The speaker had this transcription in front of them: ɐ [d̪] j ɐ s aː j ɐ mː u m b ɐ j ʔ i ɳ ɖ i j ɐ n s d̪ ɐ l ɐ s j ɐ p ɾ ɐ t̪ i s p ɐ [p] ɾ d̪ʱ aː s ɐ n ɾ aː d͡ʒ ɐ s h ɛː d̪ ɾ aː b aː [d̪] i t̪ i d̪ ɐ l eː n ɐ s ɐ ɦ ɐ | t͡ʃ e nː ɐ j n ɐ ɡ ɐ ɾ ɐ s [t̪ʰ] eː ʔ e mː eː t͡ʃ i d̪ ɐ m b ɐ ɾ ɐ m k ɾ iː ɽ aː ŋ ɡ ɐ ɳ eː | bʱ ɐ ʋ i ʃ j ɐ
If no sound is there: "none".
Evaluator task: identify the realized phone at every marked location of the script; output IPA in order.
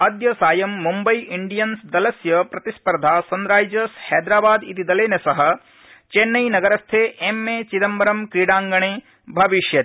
d̪, none, d̪, t̪ʰ

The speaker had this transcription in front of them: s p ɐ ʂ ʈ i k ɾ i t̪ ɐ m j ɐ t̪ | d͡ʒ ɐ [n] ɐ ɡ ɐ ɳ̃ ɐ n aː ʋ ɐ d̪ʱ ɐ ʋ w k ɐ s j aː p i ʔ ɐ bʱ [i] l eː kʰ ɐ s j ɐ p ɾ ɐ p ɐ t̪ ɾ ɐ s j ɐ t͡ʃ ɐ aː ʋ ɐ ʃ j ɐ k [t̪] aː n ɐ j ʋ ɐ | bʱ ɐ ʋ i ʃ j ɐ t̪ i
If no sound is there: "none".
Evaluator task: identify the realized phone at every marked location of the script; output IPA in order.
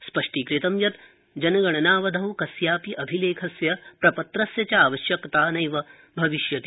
n, i, t̪

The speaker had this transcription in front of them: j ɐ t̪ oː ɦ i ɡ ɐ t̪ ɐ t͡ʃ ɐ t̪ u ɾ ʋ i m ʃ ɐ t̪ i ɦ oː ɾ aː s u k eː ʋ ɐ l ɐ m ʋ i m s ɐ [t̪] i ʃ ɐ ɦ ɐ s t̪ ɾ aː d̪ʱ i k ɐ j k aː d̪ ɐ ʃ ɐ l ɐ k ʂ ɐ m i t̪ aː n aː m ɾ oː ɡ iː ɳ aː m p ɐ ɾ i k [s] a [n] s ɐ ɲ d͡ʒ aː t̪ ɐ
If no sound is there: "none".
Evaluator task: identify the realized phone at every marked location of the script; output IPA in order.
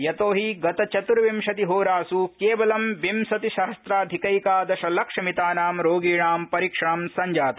t̪, ʂ, m

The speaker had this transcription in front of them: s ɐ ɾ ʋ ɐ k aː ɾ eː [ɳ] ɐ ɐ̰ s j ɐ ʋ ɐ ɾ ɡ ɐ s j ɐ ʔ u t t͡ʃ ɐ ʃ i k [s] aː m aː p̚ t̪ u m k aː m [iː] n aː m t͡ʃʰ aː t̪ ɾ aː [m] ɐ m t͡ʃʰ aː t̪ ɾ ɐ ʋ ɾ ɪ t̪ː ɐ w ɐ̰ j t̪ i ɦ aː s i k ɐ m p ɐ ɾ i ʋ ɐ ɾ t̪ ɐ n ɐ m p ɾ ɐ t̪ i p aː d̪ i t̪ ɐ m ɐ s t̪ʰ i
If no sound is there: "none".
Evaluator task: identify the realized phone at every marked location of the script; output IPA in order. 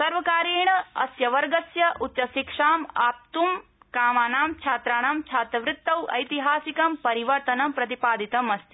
ɳ, ʂ, aː, ɳ

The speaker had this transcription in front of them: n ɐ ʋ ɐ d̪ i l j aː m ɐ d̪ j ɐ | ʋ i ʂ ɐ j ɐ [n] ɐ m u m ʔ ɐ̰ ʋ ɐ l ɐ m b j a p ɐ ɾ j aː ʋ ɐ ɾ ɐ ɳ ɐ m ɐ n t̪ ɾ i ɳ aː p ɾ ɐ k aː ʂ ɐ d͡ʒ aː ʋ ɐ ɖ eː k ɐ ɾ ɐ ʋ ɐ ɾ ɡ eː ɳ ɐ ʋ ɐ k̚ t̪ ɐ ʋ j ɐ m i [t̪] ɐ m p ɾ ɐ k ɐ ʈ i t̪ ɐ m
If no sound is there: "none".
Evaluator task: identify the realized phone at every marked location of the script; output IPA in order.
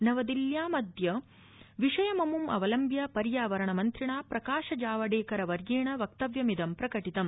m, d̪

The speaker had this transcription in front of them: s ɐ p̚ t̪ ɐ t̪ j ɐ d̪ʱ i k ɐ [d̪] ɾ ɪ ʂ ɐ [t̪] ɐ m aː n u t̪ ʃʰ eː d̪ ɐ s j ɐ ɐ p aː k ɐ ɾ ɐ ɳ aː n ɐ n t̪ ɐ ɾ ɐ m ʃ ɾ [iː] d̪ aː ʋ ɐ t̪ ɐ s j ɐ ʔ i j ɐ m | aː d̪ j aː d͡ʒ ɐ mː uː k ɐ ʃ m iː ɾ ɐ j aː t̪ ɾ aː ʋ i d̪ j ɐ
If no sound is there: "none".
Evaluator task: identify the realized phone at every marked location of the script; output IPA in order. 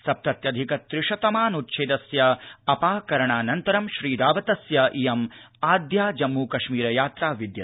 t̪, t̪, iː

